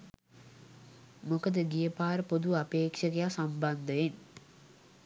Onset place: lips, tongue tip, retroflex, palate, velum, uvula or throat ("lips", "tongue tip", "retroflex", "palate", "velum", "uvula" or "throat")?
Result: lips